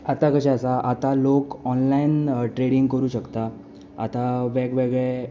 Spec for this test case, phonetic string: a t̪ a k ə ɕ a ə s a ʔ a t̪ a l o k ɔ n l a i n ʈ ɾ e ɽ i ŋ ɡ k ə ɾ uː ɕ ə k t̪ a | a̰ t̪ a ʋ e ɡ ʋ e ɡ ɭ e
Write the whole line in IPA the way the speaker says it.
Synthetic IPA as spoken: a t̪ a k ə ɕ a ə s a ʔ a t̪ a l o k ɔ n l a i n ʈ ɾ e ɽ i ŋ ɡ k ə ɾ uː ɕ ə k t̪ a | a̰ t̪ a ʋ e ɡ ʋ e ɡ ɭ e